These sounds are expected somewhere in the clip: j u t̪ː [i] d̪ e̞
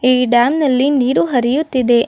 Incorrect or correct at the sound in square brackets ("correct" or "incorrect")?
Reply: correct